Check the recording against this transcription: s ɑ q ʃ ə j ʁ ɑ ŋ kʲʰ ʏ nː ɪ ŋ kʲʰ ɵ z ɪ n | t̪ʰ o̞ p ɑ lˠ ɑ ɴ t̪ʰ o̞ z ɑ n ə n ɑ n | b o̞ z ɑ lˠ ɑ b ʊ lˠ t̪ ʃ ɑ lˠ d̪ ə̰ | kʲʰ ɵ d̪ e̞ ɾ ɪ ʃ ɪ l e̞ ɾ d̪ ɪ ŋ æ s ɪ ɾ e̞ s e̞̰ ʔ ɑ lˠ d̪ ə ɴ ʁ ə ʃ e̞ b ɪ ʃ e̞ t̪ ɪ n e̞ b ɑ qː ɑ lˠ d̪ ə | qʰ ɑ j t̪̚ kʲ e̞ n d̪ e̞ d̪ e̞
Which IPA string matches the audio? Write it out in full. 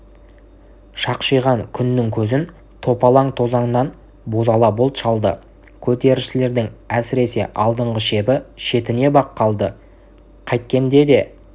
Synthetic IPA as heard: ʃ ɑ q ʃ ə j ʁ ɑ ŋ kʲʰ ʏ nː ɪ ŋ kʲʰ ɵ z ɪ n | t̪ʰ o̞ p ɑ lˠ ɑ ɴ t̪ʰ o̞ z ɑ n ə n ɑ n | b o̞ z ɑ lˠ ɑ b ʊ lˠ t̪ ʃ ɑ lˠ d̪ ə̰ | kʲʰ ɵ t̪ e̞ ɾ ɪ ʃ ɪ l e̞ ɾ d̪ ɪ ŋ æ s ɪ ɾ e̞ s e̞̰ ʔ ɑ lˠ d̪ ə ɴ ʁ ə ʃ e̞ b ɪ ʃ e̞ t̪ ɪ n e̞ b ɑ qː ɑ lˠ d̪ ə | qʰ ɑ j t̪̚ kʲ e̞ n d̪ e̞ d̪ e̞